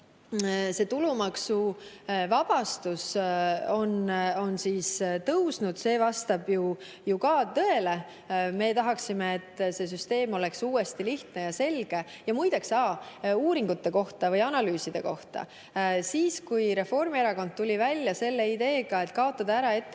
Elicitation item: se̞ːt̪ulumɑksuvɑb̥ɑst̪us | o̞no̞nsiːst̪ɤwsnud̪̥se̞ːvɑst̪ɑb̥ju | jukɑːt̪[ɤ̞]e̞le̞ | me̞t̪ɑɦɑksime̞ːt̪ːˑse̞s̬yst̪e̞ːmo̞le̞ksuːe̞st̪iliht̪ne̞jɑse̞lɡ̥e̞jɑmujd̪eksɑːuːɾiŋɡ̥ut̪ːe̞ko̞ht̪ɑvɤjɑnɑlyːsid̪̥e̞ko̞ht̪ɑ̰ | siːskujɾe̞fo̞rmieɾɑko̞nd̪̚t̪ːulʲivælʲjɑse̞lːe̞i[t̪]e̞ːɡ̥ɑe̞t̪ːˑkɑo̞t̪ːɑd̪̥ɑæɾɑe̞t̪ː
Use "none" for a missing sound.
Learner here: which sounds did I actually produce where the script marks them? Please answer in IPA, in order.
ɤ̞, d̪

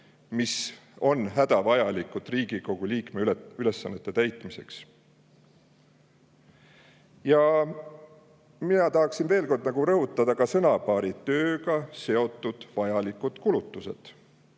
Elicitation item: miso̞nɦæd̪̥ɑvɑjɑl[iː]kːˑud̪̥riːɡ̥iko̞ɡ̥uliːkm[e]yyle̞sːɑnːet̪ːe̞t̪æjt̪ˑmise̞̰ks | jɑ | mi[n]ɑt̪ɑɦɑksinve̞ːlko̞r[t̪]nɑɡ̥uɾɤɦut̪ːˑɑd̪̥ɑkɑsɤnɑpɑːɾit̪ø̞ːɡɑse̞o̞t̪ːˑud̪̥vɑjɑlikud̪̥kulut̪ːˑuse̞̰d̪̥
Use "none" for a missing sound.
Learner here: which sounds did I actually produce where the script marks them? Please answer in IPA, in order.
i, e, n, d̪

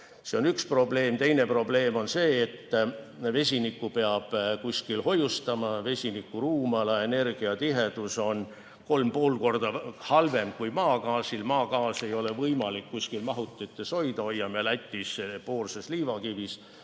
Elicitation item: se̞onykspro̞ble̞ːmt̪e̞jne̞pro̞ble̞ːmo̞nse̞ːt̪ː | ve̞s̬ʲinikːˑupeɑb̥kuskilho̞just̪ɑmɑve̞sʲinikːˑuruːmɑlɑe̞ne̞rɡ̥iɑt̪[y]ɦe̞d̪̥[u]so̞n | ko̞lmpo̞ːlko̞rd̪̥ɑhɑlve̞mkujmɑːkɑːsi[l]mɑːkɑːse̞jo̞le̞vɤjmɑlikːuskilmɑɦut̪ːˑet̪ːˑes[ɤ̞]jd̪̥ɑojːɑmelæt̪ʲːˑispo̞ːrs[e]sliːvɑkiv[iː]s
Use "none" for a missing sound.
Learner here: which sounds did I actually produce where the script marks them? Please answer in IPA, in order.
i, u, l, o̞, e, i

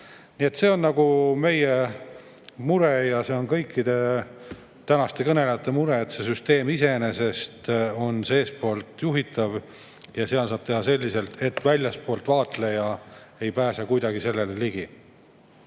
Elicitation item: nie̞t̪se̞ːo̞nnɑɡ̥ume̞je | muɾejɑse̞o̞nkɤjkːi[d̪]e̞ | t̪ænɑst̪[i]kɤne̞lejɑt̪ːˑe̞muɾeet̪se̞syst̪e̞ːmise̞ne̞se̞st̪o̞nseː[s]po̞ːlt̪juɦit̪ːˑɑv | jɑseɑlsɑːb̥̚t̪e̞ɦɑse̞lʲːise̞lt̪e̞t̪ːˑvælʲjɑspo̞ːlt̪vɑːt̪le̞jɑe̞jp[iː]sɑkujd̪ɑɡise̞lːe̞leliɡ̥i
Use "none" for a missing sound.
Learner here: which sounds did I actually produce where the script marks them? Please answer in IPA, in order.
d̪, e, s, æː

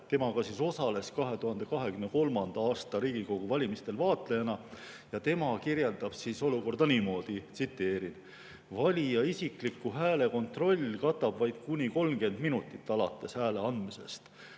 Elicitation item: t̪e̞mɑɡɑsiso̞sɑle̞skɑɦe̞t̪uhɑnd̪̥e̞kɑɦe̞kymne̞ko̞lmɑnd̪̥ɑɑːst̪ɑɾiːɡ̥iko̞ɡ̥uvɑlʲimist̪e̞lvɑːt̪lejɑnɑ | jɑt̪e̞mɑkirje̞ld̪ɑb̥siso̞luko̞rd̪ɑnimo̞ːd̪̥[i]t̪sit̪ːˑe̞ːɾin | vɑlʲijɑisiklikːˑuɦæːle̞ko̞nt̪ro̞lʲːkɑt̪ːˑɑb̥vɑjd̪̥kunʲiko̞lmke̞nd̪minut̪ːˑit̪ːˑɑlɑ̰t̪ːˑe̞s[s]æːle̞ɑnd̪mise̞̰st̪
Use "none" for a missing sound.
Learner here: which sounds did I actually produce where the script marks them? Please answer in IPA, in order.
i, h

